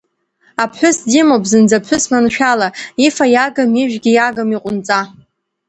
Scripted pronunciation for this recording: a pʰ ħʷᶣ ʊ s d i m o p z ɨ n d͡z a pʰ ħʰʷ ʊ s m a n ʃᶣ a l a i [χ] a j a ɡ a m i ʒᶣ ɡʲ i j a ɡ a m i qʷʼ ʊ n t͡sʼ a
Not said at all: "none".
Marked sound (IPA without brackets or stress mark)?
f